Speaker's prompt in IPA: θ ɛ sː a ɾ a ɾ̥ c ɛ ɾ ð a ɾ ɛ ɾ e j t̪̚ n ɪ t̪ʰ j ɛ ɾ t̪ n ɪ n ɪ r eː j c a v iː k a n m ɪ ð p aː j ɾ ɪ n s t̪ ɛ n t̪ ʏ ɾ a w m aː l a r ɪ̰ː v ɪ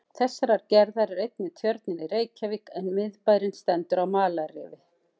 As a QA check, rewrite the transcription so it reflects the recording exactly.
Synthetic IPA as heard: θ ɛ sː a ɾ a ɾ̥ c ɛ ɾ ð a ɾ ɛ ɾ e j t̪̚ n ɪ t̪ʰ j œ ɾ t̪ n ɪ n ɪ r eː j c a v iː k ɛ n m ɪ ð p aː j ɾ ɪ n s t̪ ɛ n t̪ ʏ ɾ a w m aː l a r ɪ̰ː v ɪ